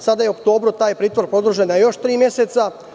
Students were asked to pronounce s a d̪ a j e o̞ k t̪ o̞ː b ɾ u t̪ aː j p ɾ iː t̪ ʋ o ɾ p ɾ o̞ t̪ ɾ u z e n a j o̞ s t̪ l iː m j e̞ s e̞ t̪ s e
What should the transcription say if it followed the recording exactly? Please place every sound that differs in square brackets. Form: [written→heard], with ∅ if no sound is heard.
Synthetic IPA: s a d̪ a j e o̞ k t̪ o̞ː b ɾ u t̪ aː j p ɾ iː t̪ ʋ o ɾ p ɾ o̞ [t̪→d̪] ɾ u [z→ʒ] e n a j o̞ [s→ʃ] t̪ [l→ɾ] iː m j e̞ s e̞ t̪ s [e→a]